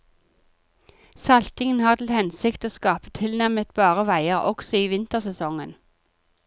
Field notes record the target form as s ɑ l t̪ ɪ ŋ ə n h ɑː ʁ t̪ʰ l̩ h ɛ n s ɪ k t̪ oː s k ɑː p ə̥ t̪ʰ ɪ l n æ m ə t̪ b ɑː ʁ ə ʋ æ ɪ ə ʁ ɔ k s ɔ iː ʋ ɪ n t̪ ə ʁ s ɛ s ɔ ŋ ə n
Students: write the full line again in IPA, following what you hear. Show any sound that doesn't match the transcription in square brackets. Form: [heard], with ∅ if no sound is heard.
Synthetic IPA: s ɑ l t̪ ɪ ŋ ə n h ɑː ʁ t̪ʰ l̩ h ɛ n s ɪ k t̪ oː s k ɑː p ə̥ t̪ʰ ɪ l n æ m ə t̪ b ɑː ʁ ə ʋ æ ɪ ə ʁ ɔ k s ɔ iː ʋ ɪ n t̪ ə ʁ s ɛ s ɔ ŋ ə n